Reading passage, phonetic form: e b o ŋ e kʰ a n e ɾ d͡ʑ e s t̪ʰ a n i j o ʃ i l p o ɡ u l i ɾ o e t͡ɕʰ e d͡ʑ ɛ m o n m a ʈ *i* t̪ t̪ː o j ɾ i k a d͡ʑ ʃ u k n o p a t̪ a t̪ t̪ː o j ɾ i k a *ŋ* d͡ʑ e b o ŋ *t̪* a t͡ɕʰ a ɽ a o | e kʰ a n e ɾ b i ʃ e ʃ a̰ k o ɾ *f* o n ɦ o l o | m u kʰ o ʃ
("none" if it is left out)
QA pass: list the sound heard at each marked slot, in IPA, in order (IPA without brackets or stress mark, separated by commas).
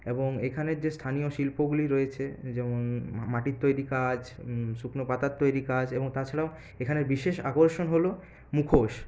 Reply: i, none, t̪, ʃ